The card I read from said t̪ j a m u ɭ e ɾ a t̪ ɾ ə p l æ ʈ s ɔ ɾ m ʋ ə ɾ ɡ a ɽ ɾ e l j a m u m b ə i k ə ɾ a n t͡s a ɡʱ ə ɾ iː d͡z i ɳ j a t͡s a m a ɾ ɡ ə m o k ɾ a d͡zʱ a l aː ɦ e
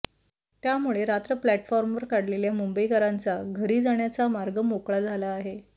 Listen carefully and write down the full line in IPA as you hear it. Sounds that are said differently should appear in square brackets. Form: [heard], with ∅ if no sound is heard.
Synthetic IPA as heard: t̪ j a m u ɭ e ɾ a t̪ ɾ ə p l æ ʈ [f] ɔ ɾ m ʋ ə ɾ [k] a ɽ [l] e l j a m u m b ə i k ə ɾ a n t͡s a ɡʱ ə ɾ iː d͡z [a] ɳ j a t͡s a m a ɾ ɡ ə m o k [ɭ] a d͡zʱ a l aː ɦ e